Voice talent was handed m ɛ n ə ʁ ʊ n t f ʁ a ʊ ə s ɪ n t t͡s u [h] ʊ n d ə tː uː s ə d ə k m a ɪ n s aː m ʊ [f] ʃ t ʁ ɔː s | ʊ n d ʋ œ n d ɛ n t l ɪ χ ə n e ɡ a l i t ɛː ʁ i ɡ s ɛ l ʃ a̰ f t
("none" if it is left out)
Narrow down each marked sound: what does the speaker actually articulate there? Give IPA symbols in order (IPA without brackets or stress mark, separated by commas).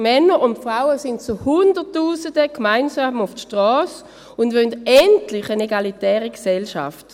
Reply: h, f